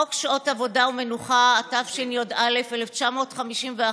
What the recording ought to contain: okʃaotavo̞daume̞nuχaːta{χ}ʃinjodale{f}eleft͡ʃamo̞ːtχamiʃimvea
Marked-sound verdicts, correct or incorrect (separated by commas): incorrect, correct